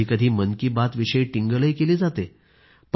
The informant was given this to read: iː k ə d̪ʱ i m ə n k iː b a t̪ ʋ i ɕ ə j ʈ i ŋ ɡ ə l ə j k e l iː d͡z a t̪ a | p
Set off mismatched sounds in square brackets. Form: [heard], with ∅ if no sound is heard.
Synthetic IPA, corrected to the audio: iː k ə d̪ʱ [iː] m ə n k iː b a t̪ ʋ i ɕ ə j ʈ i ŋ ɡ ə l ə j k e l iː d͡z a t̪ [e] | p